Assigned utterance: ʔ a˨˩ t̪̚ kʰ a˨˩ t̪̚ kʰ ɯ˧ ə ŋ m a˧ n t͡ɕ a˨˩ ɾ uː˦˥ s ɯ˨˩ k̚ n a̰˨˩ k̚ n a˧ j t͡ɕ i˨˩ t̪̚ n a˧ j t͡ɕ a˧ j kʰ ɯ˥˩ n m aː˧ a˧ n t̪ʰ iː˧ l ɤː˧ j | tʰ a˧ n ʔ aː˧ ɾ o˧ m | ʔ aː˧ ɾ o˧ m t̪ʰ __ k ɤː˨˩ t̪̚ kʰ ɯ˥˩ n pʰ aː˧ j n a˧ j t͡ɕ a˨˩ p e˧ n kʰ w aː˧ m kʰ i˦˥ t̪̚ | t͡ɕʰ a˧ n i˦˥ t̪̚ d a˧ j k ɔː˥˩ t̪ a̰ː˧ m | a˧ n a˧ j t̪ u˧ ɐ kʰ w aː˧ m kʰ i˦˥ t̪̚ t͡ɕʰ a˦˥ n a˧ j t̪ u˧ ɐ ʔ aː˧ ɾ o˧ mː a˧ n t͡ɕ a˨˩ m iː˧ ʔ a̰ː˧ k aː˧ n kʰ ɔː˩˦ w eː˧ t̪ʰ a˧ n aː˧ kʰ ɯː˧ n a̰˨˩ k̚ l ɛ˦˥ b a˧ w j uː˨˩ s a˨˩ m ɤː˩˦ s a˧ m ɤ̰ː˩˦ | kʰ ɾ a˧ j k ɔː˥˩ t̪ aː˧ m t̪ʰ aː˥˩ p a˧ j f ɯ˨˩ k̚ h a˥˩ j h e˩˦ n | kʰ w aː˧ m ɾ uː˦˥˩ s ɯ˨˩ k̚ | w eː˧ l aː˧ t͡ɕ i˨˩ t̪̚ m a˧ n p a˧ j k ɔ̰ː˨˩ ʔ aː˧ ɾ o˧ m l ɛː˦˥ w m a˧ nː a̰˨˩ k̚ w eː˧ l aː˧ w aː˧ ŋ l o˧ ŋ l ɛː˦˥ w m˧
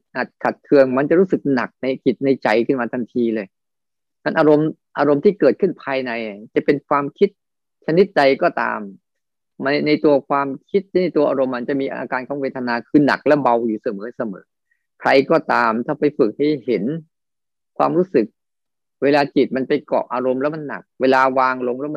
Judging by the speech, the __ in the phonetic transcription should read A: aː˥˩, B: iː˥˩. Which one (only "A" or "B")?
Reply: B